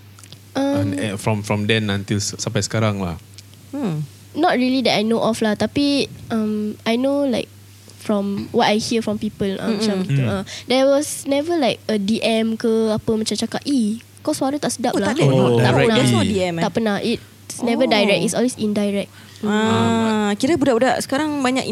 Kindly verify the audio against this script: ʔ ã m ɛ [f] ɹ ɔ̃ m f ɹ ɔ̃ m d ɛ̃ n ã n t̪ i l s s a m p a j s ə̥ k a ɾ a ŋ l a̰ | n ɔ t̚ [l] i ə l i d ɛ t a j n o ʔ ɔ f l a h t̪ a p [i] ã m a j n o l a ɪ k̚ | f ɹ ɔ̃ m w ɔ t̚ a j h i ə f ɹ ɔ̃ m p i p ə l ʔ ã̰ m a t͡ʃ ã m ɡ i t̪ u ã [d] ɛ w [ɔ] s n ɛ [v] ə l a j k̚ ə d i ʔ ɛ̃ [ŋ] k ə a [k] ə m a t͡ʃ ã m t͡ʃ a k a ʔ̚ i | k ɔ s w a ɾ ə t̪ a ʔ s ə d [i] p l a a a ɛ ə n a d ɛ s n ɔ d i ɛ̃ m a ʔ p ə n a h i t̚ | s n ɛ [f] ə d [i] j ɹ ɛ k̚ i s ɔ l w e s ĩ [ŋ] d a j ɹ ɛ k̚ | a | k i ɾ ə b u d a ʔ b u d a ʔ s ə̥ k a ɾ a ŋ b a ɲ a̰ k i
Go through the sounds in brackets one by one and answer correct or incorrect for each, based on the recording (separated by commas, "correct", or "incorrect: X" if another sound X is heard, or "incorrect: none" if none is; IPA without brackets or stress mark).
correct, incorrect: ɹ, correct, correct, correct, correct, incorrect: m, incorrect: p, incorrect: a, incorrect: v, incorrect: a, incorrect: n